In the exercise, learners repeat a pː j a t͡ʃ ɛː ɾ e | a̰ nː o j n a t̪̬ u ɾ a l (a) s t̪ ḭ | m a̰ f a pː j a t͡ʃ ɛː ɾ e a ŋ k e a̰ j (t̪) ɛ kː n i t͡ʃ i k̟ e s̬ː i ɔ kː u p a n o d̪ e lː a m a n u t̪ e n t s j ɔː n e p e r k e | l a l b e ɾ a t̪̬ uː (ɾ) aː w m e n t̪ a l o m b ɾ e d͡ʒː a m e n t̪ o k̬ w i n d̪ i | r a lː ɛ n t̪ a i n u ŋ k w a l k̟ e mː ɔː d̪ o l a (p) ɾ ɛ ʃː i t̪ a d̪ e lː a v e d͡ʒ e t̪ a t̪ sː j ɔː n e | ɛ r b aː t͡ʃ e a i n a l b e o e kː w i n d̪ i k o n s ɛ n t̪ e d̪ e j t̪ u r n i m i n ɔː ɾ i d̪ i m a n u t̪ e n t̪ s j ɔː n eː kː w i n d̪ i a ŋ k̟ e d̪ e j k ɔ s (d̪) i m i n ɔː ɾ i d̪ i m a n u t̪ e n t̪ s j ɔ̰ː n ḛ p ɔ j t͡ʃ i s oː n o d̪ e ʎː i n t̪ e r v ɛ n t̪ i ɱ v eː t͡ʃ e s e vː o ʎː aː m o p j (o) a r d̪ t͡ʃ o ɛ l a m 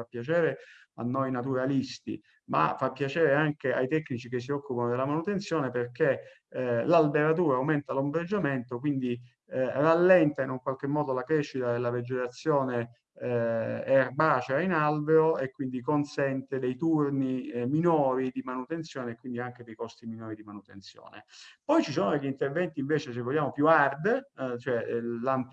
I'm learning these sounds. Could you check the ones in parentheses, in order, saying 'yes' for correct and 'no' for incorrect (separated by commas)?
no, yes, yes, no, no, no